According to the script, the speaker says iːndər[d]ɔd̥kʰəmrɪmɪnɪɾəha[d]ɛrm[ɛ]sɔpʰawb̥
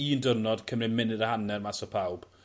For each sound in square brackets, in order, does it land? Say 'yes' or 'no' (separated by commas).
no, no, no